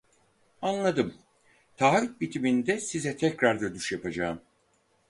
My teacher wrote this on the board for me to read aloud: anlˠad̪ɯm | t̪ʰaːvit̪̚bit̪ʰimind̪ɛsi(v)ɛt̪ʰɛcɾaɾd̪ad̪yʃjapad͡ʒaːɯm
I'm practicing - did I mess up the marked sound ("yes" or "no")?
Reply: yes